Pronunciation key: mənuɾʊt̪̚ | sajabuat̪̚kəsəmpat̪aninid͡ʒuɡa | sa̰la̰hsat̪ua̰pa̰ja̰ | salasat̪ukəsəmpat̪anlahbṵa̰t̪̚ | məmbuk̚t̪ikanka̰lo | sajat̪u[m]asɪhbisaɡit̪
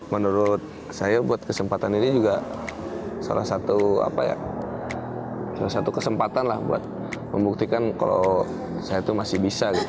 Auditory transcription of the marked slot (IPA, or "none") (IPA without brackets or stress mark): m